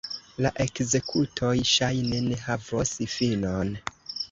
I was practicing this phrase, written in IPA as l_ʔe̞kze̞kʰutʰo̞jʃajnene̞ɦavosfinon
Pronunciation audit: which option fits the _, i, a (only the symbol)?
a